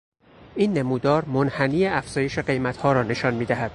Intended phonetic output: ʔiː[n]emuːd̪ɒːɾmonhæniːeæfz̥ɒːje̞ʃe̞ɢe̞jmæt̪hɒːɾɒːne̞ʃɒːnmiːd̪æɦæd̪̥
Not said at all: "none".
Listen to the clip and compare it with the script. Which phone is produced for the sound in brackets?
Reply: nː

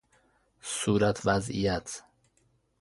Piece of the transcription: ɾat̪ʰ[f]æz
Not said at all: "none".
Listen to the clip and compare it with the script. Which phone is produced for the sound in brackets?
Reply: v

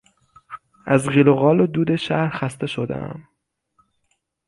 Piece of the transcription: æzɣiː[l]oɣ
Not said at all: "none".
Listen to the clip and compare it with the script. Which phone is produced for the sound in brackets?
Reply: l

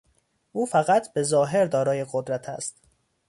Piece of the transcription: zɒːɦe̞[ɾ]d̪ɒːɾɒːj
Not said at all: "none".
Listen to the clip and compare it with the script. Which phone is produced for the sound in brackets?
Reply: ɾ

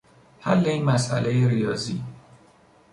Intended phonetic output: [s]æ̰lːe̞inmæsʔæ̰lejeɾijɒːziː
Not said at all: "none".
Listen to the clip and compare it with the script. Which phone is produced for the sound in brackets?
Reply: h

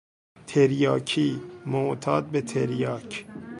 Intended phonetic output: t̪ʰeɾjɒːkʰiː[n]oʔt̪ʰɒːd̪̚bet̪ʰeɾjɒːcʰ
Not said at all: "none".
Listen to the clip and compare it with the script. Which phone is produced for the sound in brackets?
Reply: m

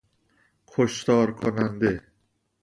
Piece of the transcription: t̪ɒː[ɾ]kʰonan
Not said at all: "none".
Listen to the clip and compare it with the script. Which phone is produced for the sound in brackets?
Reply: ɾ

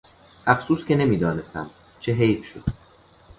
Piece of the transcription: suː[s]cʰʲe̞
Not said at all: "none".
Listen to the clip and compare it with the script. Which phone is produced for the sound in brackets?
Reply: s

